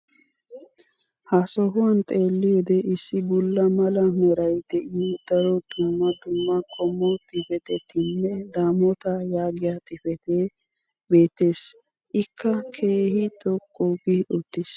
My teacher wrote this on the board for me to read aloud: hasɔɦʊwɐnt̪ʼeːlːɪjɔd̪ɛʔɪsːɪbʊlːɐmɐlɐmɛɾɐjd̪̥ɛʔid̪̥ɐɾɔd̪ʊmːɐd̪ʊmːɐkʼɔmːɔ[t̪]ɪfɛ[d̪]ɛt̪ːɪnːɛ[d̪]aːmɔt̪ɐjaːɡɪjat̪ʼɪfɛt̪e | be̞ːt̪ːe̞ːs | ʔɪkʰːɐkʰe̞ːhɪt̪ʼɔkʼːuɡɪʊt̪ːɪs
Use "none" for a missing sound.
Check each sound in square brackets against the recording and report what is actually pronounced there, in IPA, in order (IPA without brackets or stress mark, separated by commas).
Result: t̪ʼ, t̪, d̪